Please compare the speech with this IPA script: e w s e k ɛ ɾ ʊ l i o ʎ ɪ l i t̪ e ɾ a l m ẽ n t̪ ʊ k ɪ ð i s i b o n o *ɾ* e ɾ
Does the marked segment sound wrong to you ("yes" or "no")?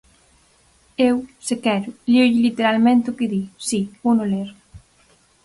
yes